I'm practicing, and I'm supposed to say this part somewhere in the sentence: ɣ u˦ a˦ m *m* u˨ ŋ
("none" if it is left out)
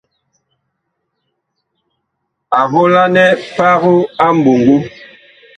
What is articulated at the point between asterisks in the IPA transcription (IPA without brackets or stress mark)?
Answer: b